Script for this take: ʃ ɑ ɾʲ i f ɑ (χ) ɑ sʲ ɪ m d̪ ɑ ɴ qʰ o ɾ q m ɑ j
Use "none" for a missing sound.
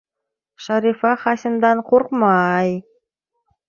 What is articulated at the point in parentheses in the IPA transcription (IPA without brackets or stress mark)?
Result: χ